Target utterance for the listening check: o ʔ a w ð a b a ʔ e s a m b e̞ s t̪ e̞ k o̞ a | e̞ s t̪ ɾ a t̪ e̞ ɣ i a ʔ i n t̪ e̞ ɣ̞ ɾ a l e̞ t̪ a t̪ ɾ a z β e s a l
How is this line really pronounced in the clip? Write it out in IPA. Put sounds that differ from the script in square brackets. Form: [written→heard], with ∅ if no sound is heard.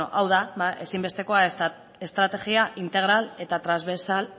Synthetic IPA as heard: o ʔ a w ð a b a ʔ e s [a→i] m b e̞ s t̪ e̞ k o̞ a | e̞ s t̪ ɾ a t̪ e̞ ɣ i a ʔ i n t̪ e̞ ɣ̞ ɾ a l e̞ t̪ a t̪ ɾ a z β e s a l